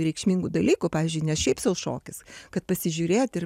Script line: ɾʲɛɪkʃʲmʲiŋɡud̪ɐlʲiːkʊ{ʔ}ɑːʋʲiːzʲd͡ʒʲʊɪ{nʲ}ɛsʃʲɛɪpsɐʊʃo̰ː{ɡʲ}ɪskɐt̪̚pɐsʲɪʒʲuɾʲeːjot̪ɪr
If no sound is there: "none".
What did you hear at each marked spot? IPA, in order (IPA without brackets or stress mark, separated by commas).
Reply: p, nʲ, kʲ